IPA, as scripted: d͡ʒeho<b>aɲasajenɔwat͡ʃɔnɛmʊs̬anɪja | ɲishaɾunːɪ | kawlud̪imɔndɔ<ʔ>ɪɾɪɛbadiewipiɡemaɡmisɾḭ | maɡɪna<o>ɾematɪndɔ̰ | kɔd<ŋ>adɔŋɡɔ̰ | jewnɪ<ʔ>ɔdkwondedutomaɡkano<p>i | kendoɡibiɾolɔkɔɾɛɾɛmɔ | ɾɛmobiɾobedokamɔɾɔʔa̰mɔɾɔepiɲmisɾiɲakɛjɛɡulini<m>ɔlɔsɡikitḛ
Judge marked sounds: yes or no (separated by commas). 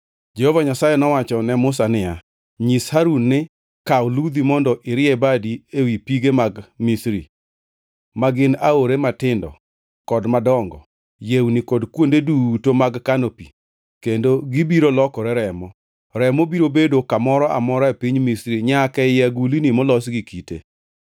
no, yes, yes, no, no, yes, yes